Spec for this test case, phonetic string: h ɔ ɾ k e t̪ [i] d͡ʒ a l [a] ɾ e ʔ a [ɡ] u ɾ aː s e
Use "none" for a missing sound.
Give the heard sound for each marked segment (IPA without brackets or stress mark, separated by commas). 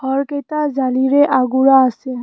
a, i, ɡ